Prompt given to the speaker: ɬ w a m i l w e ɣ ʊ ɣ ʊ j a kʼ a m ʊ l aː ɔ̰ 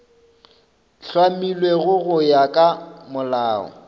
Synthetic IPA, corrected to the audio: ɬ w a m i l w e ɣ ʊ ɣ ʊ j a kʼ a m ʊ l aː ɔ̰